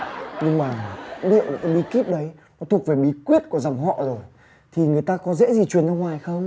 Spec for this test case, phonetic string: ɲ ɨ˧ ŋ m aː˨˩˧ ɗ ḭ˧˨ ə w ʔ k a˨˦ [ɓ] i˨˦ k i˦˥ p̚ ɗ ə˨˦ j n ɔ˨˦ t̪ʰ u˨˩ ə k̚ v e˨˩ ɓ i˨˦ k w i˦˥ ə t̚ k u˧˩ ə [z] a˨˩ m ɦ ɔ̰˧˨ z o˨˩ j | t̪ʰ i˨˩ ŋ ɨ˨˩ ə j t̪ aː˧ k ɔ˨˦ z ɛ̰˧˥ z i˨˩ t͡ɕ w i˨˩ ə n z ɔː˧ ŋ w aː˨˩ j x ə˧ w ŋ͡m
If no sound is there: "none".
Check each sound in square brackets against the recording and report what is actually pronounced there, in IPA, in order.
ɓ, z

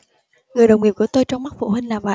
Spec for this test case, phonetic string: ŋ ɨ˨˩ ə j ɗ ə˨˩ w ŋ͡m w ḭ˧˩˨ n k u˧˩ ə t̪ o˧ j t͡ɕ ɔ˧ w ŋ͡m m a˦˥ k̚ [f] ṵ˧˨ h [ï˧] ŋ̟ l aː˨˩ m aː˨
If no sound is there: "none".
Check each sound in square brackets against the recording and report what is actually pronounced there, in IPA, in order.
f, ï˧

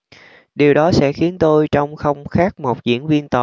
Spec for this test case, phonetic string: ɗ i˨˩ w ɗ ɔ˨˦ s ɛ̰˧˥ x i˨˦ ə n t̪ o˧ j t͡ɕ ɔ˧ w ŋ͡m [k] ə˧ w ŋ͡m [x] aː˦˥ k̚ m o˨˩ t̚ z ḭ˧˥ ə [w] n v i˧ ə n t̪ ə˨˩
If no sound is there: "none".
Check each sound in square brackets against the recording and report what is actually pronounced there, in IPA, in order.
x, x, none

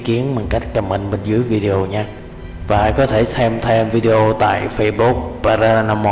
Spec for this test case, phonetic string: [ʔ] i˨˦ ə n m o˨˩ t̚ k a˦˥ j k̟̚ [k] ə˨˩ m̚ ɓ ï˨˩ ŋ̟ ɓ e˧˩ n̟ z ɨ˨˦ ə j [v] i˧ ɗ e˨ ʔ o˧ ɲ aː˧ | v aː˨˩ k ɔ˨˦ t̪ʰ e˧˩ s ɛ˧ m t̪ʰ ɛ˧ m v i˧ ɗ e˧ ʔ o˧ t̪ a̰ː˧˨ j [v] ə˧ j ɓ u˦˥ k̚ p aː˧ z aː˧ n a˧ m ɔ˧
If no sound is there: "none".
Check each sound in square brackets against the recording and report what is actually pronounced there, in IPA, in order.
k, k, v, f

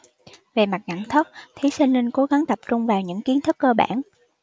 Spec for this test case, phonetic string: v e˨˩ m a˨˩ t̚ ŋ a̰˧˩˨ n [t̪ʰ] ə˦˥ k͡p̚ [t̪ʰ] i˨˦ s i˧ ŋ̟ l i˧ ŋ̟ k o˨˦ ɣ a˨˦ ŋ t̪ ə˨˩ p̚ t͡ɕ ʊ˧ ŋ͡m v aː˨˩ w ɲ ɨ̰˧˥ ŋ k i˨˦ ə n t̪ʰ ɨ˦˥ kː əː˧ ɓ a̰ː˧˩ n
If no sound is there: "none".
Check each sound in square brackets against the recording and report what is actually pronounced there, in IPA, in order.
t̪ʰ, t̪ʰ

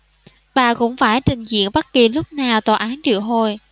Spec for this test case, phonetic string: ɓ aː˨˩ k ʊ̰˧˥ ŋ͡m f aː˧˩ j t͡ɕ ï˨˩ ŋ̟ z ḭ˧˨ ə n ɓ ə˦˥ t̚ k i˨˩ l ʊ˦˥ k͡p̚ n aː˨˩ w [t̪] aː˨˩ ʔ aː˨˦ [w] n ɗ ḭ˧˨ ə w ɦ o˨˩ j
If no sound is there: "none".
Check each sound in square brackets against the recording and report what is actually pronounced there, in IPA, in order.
t̪, none

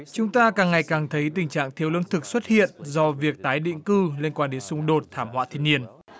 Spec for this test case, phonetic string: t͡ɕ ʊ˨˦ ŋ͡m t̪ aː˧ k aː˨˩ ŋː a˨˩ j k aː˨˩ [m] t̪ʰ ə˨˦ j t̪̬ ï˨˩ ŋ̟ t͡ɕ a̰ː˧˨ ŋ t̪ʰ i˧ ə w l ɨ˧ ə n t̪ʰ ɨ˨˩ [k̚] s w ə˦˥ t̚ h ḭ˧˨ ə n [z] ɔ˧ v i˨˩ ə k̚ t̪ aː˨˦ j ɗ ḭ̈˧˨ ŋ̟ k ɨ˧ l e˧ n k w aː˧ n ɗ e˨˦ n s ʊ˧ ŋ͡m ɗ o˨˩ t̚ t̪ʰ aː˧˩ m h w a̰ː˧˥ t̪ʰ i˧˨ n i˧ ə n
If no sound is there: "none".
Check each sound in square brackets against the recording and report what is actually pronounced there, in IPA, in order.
ŋ, k̚, z

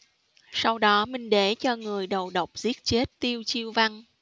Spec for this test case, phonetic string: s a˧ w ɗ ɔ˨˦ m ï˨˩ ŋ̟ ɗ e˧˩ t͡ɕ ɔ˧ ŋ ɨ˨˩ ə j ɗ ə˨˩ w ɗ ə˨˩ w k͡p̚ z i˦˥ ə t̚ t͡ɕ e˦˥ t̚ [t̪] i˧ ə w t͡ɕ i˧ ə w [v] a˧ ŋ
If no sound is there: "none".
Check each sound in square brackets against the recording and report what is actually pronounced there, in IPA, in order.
t̪, v

